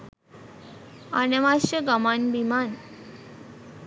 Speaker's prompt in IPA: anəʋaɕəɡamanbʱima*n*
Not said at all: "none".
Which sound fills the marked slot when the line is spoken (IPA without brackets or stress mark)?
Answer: n